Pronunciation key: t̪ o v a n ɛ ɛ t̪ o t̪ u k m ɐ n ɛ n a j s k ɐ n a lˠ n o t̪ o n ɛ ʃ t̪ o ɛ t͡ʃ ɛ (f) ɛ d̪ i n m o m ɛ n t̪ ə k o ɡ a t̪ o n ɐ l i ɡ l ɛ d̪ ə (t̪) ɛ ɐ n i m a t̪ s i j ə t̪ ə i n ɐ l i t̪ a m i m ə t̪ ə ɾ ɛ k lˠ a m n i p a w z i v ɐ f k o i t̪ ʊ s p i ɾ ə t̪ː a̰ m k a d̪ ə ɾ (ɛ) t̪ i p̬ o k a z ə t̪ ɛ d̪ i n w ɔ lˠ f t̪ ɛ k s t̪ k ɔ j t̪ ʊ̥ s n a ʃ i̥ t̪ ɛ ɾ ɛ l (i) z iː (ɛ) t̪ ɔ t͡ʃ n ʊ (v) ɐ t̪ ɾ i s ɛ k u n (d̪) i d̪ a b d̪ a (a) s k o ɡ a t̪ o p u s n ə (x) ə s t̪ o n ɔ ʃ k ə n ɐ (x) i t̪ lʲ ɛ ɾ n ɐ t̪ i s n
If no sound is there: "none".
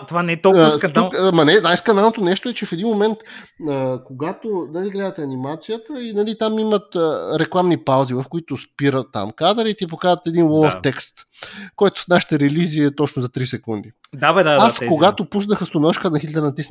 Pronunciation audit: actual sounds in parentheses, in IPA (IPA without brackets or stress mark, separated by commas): f, t̪, i, i, ɛ, z, d̪, a, x, x